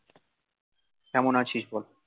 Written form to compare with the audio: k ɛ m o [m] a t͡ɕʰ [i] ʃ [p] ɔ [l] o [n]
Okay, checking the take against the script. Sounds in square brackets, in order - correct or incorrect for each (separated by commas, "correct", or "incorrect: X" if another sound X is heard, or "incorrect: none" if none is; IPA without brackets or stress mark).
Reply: incorrect: n, correct, incorrect: b, correct, incorrect: none